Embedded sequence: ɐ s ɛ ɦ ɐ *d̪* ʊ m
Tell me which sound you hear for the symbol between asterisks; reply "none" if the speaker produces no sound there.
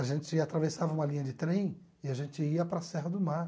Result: d̪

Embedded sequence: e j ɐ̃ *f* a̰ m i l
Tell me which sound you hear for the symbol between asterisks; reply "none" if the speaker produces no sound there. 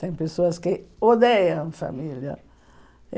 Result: f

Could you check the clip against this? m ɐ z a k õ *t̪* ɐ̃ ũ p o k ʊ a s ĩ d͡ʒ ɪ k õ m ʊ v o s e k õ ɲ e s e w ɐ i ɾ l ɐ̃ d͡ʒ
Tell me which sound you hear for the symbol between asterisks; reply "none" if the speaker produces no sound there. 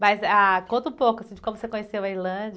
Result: t̪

